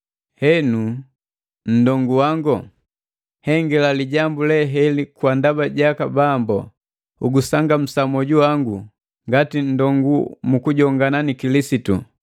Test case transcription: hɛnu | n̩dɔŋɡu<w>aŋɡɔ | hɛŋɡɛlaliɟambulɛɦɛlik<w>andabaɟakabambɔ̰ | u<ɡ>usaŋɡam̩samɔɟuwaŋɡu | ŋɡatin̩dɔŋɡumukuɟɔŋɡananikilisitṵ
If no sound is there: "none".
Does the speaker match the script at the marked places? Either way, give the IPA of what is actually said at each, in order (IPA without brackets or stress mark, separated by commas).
w, w, ɡ